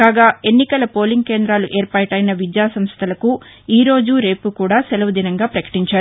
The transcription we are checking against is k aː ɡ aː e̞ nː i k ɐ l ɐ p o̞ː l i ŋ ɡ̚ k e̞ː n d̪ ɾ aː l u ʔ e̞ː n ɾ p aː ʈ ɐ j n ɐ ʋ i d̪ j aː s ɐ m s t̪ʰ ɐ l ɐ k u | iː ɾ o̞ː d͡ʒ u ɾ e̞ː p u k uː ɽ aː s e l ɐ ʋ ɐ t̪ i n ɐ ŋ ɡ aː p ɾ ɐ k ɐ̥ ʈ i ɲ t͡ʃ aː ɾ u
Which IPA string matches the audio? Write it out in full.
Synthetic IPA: k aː ɡ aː e̞ nː i k ɐ l ɐ p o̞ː l i ŋ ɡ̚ k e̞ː n d̪ ɾ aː l u ʔ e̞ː ɾ p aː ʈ ɐ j n ɐ ʋ i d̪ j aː s ɐ m s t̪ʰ ɐ l ɐ k u | iː ɾ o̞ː d͡ʒ u ɾ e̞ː p u k uː ɽ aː s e l ɐ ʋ ɐ d̪ i n ɐ ŋ ɡ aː p ɾ ɐ k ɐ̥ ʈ i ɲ t͡ʃ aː ɾ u